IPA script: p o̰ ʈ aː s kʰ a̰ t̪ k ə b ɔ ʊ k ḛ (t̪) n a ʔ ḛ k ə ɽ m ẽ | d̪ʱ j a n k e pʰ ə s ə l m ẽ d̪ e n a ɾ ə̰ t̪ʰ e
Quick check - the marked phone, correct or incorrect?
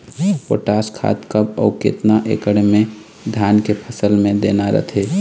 correct